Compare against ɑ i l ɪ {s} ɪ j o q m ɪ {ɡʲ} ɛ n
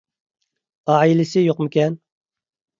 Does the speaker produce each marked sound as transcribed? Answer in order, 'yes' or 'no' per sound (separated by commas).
yes, no